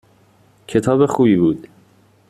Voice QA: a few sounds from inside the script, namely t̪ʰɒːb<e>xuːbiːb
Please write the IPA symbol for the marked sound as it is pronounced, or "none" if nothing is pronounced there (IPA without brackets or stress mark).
e